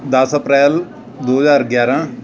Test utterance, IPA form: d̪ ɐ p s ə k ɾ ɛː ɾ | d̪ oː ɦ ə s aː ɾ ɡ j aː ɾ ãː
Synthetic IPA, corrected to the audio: d̪ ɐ s ə p ɾ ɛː l | d̪ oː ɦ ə z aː ɾ ɡ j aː ɾ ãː